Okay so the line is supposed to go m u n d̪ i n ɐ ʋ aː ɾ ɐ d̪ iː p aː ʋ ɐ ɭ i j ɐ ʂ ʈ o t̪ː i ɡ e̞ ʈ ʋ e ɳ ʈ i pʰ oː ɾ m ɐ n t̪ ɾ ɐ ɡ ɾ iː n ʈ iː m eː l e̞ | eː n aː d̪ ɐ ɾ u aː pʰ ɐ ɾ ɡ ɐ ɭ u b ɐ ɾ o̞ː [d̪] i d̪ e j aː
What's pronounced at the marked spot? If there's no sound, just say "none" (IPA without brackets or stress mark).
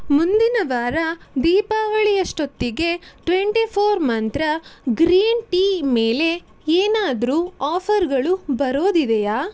d̪